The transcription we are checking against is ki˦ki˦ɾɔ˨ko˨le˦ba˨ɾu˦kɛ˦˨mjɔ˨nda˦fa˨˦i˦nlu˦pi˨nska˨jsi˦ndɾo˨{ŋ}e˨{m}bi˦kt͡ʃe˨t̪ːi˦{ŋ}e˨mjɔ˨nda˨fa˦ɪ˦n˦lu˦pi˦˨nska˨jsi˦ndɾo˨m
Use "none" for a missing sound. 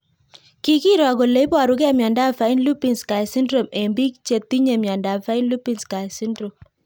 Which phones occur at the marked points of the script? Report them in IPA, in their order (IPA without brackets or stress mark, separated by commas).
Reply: m, m, ɲ